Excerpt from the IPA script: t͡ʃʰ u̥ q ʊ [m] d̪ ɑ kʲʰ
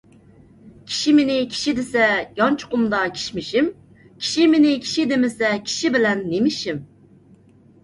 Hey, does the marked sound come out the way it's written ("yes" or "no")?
yes